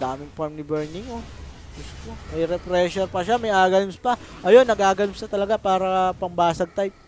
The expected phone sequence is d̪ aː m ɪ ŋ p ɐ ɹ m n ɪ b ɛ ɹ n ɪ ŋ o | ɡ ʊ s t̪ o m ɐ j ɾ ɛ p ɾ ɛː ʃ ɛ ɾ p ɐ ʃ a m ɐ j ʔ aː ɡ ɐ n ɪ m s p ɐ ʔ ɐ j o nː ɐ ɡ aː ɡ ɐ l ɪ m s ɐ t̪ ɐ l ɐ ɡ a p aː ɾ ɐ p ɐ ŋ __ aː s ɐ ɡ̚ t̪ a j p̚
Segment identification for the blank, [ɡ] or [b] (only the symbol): b